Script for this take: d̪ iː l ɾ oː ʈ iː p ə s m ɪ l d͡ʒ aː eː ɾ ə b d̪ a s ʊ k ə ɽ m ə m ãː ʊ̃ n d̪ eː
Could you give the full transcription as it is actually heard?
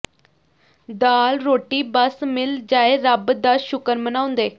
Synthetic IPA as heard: d̪ aː l ɾ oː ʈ iː b ə s m ɪ l d͡ʒ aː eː ɾ ə b d̪ a ʃ ʊ k ə ɾ m ə n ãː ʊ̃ n d̪ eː